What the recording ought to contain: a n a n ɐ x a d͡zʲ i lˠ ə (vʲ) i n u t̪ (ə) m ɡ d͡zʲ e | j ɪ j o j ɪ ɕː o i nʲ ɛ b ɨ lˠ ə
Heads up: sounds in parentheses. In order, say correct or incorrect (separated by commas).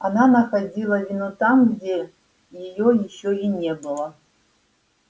correct, incorrect